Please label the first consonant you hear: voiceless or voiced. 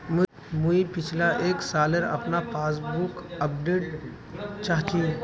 voiced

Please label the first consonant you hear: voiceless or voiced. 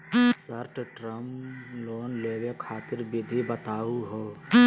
voiceless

